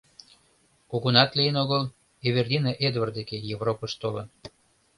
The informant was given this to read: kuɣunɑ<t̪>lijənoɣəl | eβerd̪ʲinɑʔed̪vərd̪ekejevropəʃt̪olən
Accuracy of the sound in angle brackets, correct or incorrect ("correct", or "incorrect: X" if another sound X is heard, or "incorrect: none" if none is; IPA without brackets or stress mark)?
correct